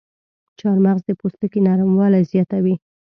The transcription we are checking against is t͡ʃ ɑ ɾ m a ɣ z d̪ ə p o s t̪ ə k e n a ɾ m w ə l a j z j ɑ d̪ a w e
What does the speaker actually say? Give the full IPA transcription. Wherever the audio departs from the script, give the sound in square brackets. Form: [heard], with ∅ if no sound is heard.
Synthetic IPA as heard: t͡ʃ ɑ ɾ m a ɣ z d̪ ə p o s t̪ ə k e n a ɾ m w [ɑ] l a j z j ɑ [t̪] a w [i]